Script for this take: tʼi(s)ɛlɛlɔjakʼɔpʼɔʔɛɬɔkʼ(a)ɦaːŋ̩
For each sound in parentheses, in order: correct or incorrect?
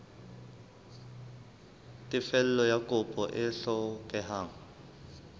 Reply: incorrect, incorrect

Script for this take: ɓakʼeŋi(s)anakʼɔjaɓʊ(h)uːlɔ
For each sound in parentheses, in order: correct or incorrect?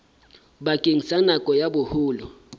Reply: correct, correct

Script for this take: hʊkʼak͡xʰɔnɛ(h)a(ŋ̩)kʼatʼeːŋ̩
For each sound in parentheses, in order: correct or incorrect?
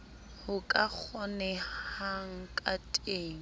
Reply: correct, correct

